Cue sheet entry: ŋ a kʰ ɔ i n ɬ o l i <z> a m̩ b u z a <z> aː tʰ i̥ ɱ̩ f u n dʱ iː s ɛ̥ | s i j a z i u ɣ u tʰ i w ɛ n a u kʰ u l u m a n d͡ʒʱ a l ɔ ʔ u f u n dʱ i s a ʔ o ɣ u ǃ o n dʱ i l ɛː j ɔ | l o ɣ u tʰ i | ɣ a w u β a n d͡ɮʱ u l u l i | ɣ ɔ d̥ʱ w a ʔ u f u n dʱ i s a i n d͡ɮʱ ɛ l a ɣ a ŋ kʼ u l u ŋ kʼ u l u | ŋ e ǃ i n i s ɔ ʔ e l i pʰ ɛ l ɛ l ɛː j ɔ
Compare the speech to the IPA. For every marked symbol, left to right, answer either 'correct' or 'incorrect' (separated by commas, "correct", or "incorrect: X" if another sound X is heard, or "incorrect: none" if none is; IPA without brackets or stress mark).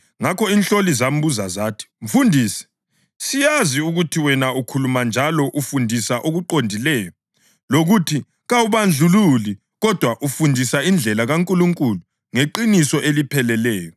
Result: correct, correct